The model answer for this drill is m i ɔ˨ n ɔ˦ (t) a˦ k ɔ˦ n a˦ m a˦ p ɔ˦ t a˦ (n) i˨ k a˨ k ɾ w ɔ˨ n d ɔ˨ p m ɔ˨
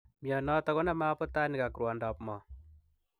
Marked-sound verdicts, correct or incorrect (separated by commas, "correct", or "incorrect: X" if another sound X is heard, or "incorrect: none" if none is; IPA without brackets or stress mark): correct, correct